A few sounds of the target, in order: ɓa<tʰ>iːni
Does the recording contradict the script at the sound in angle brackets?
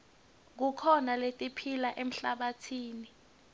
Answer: no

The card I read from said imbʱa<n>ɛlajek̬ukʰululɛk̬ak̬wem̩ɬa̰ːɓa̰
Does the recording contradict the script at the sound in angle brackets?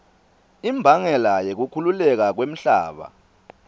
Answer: yes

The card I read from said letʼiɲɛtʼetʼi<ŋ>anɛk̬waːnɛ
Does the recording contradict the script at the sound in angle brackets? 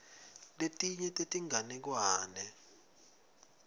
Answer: no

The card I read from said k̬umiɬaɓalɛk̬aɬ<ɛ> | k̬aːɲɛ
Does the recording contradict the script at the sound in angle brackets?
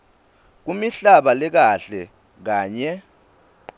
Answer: no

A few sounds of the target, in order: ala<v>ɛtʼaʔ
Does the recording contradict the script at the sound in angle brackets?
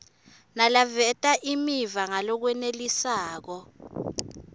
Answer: no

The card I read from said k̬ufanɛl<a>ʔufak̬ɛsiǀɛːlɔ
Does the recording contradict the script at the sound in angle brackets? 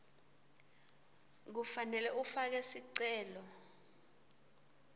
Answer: yes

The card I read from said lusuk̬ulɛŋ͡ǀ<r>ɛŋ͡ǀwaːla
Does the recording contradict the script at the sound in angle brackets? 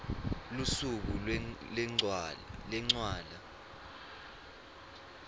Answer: yes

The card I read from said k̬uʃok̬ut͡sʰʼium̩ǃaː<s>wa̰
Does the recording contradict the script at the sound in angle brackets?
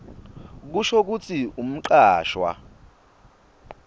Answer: yes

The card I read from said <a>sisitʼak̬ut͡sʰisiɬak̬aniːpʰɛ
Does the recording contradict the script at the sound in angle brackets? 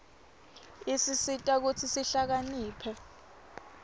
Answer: yes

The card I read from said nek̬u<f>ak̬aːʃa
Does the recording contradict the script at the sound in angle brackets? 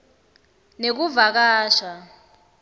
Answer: yes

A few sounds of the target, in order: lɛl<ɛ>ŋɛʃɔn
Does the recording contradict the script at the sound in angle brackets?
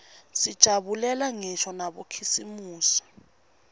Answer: yes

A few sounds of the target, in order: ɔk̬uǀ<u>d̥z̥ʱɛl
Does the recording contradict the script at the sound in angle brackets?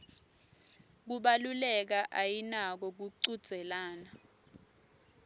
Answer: no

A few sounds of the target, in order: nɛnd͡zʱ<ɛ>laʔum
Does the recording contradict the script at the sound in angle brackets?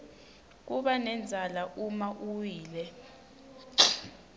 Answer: yes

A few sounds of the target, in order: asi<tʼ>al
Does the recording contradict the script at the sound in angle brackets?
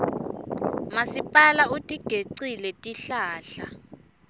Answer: yes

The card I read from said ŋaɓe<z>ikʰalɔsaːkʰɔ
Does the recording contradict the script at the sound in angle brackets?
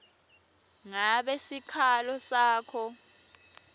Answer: yes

